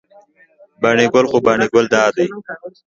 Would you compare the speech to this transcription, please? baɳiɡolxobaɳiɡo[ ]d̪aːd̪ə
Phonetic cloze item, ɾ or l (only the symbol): l